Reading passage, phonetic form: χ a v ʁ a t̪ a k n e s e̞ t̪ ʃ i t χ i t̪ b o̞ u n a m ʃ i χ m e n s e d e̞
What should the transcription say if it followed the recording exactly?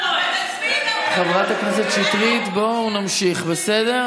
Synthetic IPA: χ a v ʁ a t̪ a k n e s e̞ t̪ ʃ i t ʁ i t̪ b o̞ u n a m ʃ i χ b e s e d e̞